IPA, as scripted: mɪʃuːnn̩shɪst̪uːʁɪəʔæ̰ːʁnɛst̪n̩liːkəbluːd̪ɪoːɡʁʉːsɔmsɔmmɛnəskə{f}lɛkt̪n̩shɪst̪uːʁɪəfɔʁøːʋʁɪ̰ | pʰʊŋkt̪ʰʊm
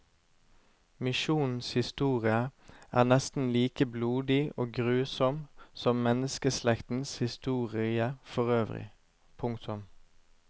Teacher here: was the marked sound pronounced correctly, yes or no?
no